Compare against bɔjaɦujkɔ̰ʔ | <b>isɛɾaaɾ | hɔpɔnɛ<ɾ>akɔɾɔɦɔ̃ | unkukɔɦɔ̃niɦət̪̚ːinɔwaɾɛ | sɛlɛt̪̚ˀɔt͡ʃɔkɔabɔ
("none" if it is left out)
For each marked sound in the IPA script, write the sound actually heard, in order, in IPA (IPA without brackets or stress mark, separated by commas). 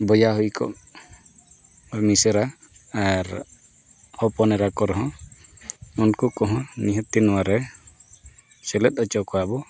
m, ɾ